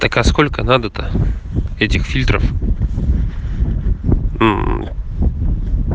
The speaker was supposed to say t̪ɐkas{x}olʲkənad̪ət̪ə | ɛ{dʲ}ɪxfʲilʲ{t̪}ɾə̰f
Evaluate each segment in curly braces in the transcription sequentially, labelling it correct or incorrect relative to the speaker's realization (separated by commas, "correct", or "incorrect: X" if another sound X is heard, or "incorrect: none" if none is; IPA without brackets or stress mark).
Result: incorrect: k, incorrect: tʲ, correct